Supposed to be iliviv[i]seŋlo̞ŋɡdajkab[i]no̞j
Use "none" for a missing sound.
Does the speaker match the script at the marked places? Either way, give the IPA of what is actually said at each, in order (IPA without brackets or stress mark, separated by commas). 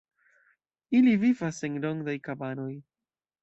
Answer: a, a